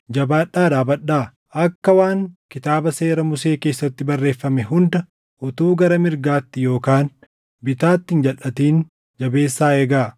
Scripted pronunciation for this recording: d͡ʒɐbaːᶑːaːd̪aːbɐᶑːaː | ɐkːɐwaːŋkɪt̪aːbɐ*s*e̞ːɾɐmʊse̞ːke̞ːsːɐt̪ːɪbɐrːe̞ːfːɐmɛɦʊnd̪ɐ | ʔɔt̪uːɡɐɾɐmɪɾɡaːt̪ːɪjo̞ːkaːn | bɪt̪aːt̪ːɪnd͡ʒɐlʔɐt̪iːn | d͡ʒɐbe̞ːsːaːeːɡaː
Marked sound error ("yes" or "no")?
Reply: no